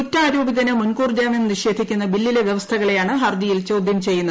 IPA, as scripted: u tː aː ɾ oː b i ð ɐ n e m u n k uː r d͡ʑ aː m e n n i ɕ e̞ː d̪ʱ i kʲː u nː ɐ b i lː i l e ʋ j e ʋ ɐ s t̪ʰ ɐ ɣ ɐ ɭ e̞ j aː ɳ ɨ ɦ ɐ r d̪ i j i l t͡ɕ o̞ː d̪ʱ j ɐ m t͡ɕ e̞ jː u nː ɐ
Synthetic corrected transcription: u tː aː ɾ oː b i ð ɐ n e m u n k uː r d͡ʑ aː m e n n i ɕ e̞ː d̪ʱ i kʲː u nː ɐ b i lː i l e ʋ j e ʋ ɐ s t̪ʰ ɐ ɣ ɐ ɭ e̞ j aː ɳ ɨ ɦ ɐ r d̪ i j i l t͡ɕ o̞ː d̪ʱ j ɐ m t͡ɕ e̞ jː u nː ɐ